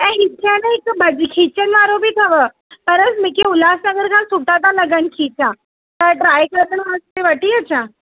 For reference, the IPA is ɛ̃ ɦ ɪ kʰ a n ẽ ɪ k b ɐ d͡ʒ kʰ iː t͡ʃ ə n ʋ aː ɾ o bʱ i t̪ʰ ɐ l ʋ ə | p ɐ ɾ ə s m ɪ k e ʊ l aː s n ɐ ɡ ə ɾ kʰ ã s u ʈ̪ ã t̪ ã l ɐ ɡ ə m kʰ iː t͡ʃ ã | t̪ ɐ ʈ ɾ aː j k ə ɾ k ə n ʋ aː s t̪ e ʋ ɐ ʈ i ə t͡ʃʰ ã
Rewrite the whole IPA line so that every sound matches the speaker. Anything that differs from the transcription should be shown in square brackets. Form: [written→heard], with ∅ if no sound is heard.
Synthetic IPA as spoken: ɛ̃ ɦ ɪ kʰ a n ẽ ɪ k b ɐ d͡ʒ kʰ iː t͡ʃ ə n ʋ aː ɾ o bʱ i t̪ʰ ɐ [l→∅] ʋ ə | p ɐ ɾ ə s m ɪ k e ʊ l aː s n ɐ ɡ ə ɾ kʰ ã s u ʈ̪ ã t̪ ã l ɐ ɡ ə [m→n] kʰ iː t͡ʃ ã | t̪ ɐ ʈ ɾ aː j k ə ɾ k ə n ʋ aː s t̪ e ʋ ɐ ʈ i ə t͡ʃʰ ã